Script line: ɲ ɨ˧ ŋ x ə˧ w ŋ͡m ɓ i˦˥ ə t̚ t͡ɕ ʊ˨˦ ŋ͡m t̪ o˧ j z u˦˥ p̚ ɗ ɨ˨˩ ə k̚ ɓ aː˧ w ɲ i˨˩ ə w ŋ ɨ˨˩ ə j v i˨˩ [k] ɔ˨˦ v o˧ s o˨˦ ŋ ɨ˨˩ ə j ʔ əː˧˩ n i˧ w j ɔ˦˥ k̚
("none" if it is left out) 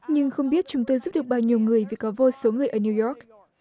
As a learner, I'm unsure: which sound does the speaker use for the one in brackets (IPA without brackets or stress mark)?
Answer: k